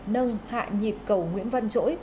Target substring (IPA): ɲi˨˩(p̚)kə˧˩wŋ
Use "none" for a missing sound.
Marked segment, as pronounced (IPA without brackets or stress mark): p̚